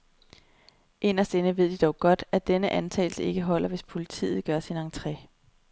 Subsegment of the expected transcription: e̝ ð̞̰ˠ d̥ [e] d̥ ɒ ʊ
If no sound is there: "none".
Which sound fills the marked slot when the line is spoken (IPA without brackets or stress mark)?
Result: i